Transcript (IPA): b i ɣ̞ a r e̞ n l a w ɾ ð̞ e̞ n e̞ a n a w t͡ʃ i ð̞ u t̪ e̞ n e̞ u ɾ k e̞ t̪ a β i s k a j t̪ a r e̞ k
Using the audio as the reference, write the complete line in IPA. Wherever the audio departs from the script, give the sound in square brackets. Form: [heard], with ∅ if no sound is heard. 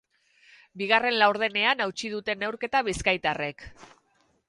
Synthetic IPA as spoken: b i ɣ̞ a r e̞ n l a w ɾ ð̞ e̞ n e̞ a n a w t͡ʃ i ð̞ u t̪ e̞ n e̞ [w] ɾ k e̞ t̪ a β i s k a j t̪ a r e̞ k